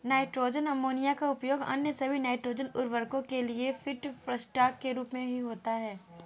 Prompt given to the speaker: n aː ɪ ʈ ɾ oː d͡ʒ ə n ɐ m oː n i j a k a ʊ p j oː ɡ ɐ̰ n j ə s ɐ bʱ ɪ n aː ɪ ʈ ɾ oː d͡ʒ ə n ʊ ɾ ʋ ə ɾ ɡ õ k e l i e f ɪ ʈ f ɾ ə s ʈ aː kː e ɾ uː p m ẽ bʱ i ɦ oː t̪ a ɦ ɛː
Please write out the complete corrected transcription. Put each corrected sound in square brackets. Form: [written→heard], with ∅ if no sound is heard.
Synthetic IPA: n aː ɪ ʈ ɾ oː d͡ʒ ə n ɐ m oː n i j a k a ʊ p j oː ɡ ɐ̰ n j ə s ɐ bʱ [ɪ→i] n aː ɪ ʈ ɾ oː d͡ʒ ə n ʊ ɾ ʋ ə ɾ [ɡ→k] õ k e l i e f ɪ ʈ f ɾ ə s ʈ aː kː e ɾ uː p m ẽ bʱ i ɦ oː t̪ a ɦ ɛː